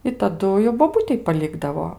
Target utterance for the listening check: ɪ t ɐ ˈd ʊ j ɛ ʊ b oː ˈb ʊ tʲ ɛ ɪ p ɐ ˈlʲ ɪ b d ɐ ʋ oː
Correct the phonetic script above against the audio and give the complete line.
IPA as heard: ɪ t ɐ ˈd ʊ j ɛ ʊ b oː ˈb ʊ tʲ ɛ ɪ p ɐ ˈlʲ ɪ ɡ d ɐ ʋ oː